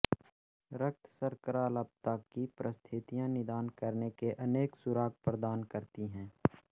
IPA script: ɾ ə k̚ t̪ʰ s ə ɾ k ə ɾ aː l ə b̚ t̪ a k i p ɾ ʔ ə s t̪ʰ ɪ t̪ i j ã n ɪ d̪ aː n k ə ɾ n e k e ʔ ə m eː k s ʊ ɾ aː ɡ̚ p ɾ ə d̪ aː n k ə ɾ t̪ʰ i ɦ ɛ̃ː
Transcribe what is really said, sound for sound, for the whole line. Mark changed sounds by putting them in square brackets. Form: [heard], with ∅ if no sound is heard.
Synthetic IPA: ɾ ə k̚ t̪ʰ s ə ɾ k ə ɾ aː l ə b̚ t̪ a k i p ɾ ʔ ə s t̪ʰ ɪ t̪ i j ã n ɪ d̪ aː n k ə ɾ n e k e ʔ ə [n] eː k s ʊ ɾ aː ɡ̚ p ɾ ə d̪ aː n k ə ɾ [t̪] i ɦ ɛ̃ː